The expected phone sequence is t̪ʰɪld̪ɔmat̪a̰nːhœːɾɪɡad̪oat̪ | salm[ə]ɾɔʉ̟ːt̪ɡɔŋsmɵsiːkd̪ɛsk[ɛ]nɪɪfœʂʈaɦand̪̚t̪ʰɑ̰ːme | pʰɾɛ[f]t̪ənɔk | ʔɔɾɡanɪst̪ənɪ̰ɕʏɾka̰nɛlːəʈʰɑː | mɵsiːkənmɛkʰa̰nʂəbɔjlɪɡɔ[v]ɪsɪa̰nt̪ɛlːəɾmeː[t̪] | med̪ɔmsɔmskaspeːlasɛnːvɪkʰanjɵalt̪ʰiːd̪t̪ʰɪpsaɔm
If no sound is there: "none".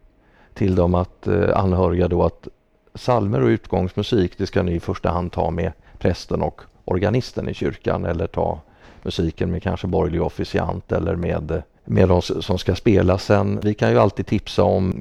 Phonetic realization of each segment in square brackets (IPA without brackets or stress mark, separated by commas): ə, a, s, f, d̪